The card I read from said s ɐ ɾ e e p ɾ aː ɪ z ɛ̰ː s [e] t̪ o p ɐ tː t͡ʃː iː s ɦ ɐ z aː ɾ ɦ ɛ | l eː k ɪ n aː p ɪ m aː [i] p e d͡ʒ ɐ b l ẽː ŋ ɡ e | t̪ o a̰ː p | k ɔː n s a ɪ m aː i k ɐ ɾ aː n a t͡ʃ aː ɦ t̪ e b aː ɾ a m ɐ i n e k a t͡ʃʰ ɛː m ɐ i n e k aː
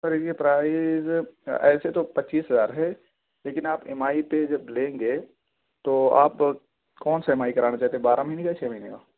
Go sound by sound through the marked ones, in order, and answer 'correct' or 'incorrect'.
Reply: correct, correct

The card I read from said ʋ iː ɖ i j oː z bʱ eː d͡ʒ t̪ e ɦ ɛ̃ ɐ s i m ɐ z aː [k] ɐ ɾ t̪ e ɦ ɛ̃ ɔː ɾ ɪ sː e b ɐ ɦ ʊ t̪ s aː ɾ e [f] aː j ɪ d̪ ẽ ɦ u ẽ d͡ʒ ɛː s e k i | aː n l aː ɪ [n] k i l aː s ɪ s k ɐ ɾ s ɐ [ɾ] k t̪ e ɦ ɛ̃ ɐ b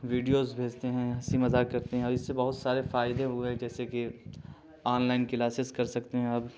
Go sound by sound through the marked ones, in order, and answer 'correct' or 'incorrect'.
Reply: correct, correct, correct, incorrect: none

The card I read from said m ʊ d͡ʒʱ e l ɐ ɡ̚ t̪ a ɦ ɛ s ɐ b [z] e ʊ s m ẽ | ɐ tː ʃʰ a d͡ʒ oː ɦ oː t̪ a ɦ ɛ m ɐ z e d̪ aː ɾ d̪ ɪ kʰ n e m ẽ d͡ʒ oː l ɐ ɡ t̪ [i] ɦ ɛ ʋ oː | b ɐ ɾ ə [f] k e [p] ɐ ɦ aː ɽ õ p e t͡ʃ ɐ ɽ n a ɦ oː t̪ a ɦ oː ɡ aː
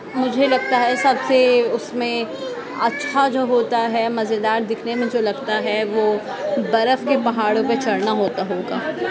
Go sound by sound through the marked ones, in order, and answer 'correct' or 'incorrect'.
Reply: incorrect: s, incorrect: a, correct, correct

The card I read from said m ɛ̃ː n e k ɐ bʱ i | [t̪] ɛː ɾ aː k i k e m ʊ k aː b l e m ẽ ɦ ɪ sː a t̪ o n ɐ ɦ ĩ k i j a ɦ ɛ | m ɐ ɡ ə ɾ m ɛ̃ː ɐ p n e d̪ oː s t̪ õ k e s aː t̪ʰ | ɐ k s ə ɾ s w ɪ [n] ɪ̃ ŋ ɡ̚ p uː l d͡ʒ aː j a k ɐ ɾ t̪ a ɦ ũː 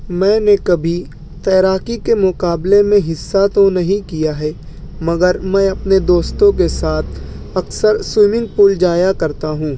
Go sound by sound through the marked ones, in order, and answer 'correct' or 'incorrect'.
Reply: correct, incorrect: m

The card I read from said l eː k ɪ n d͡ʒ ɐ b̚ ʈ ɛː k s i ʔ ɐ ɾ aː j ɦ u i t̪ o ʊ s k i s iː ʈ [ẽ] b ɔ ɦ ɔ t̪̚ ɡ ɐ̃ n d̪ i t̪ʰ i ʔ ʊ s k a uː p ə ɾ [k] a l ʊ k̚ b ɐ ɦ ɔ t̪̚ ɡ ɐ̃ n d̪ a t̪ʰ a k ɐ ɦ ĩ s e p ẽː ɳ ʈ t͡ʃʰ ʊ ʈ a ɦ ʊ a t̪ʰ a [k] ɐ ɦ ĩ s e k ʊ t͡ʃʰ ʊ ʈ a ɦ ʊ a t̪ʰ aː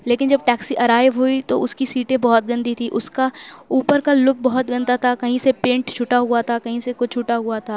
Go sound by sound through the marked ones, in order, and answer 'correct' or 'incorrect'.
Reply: correct, correct, correct

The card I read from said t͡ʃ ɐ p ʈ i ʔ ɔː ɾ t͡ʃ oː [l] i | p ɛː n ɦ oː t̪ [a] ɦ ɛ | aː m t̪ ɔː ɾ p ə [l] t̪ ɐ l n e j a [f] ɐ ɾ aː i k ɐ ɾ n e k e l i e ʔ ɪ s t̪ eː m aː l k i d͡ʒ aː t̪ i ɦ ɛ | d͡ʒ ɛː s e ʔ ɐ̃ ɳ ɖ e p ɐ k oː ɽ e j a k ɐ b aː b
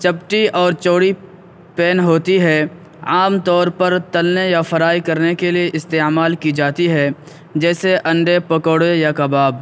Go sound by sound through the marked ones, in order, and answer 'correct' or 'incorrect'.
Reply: incorrect: ɽ, incorrect: i, incorrect: ɾ, correct

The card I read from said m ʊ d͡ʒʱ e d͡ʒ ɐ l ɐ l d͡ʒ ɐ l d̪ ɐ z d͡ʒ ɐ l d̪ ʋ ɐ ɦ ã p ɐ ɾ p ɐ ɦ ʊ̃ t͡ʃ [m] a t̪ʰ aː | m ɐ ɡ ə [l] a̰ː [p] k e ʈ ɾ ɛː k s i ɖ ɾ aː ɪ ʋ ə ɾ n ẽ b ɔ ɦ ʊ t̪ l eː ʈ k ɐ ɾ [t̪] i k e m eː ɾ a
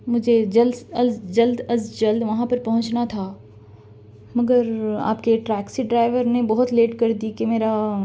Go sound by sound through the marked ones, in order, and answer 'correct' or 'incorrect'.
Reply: incorrect: n, incorrect: ɾ, correct, incorrect: d̪

